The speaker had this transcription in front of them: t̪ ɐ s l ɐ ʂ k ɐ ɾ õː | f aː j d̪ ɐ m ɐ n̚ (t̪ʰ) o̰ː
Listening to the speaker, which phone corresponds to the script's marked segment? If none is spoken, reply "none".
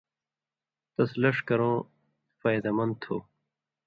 t̪ʰ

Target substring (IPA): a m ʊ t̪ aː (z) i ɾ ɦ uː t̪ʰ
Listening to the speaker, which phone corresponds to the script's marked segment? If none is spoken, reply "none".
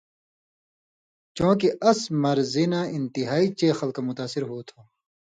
s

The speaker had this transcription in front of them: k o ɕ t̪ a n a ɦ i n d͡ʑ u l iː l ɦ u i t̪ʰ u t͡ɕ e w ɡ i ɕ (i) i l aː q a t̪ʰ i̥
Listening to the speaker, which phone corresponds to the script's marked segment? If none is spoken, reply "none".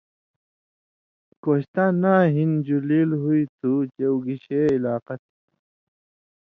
e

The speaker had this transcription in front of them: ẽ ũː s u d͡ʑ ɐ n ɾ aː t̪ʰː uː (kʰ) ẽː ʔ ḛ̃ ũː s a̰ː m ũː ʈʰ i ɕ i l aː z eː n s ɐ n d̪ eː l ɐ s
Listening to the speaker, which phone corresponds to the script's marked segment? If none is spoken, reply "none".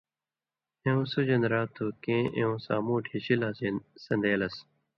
k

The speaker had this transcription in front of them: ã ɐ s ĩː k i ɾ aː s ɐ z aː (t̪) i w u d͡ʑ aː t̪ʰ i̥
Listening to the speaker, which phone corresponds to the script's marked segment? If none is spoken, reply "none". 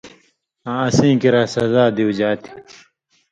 d̪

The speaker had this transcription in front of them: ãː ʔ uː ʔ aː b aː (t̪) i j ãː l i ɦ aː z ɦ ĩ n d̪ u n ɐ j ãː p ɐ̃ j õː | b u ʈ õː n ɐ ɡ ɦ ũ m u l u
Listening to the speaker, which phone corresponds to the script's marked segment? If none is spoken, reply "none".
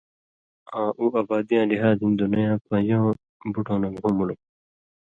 d̪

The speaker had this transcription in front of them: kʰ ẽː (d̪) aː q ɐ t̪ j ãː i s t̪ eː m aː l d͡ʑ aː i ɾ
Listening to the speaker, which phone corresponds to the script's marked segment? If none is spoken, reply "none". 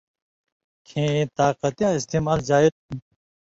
t̪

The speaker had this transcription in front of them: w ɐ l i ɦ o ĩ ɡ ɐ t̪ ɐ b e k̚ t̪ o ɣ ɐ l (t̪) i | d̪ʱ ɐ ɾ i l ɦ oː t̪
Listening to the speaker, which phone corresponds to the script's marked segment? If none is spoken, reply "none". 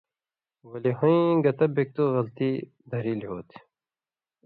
t̪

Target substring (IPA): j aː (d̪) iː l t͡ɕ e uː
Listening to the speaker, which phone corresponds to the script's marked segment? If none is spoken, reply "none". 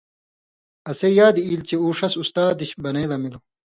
d̪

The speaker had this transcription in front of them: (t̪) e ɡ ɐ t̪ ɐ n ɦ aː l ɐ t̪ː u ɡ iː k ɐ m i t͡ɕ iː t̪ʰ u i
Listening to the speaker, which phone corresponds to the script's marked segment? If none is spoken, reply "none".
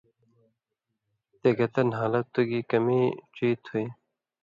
t̪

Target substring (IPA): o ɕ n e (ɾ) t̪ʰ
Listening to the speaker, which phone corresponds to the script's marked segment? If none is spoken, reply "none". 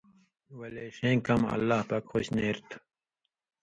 ɾ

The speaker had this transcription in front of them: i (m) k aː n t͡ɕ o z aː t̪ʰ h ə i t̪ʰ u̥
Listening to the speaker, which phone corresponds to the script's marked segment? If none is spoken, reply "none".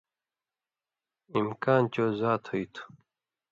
m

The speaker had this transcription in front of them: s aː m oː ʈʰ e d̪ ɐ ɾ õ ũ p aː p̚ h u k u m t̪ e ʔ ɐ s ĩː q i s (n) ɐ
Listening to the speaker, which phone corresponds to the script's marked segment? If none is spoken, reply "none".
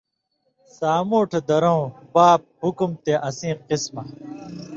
m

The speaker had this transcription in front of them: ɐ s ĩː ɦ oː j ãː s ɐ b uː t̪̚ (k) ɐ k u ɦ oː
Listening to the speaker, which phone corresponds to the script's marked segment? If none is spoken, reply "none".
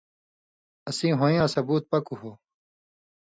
p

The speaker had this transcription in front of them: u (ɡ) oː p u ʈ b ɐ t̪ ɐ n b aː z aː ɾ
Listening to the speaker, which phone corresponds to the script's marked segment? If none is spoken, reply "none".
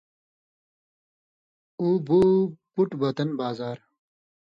b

